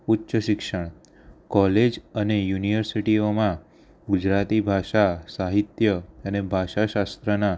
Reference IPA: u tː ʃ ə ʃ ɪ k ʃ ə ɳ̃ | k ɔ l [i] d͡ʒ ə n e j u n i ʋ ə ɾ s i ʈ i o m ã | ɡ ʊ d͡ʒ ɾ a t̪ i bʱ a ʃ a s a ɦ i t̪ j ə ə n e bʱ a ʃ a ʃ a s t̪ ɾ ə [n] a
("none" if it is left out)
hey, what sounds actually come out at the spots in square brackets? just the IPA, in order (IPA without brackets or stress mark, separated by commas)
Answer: e, n